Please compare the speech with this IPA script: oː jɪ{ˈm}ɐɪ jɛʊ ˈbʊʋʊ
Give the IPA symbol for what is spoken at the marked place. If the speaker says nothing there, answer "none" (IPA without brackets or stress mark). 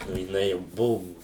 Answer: n